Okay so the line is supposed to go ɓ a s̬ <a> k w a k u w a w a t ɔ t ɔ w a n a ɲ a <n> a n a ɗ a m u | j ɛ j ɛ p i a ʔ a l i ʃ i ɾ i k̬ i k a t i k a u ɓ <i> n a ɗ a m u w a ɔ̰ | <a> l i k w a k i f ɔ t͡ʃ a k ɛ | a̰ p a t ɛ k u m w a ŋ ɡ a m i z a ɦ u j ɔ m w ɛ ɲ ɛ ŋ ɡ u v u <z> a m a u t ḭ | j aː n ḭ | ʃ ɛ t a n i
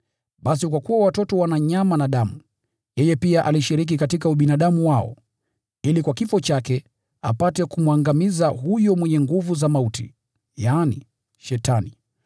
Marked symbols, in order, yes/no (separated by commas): no, no, yes, no, yes